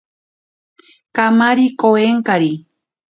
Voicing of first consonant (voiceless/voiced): voiceless